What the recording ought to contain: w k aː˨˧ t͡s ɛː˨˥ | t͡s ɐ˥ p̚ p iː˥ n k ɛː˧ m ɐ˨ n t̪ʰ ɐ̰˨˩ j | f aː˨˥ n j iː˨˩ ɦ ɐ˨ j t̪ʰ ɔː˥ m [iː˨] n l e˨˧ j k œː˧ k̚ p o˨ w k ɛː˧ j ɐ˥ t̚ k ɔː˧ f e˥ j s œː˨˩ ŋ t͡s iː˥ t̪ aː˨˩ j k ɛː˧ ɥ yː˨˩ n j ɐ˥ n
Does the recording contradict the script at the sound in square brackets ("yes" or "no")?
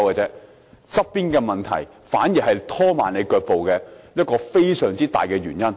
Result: yes